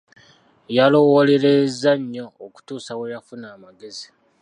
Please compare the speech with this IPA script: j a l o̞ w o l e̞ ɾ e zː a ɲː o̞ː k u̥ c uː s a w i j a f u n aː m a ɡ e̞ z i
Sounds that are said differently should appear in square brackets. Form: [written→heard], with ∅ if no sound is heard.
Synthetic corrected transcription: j a l o̞ w o l e̞ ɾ e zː a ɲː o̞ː k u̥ [c→t] uː s a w [i→e] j a f u n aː m a ɡ e̞ z i